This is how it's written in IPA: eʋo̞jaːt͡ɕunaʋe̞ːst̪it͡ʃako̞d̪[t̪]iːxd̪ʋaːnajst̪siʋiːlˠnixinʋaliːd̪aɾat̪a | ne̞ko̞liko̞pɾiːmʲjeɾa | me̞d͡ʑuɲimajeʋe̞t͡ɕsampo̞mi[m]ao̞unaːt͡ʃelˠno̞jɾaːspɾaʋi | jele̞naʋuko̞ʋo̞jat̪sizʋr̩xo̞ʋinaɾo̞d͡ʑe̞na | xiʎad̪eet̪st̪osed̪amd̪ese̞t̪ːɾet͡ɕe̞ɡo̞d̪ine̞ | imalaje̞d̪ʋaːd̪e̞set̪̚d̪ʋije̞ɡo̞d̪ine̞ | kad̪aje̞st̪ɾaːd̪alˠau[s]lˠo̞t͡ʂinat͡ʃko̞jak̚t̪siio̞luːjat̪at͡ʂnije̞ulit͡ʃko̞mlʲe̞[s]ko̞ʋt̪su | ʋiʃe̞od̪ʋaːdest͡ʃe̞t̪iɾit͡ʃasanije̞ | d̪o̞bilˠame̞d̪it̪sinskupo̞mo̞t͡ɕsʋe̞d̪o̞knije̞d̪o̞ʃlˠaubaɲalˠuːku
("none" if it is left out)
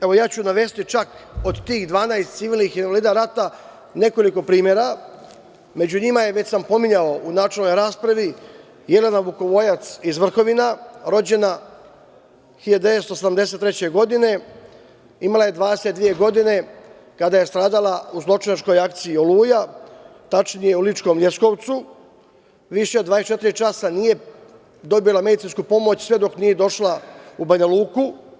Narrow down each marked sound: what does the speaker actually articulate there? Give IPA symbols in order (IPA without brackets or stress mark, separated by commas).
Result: t̪, ɲ, z, s